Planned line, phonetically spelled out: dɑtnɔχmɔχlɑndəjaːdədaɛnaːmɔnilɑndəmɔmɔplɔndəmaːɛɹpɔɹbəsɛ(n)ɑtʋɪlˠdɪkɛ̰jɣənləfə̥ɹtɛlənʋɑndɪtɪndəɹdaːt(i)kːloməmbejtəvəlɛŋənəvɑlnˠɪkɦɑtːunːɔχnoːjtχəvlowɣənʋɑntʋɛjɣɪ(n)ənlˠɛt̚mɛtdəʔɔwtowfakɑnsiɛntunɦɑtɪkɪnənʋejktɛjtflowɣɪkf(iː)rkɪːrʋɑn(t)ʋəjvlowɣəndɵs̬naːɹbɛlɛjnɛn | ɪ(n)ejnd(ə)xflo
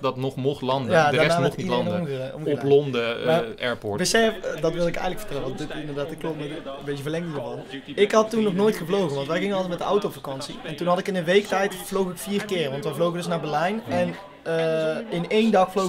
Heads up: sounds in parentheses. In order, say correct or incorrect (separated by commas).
incorrect, incorrect, incorrect, correct, correct, correct, incorrect